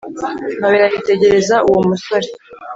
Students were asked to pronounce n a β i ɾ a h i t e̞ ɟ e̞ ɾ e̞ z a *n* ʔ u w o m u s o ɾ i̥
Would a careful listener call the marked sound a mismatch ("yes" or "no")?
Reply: yes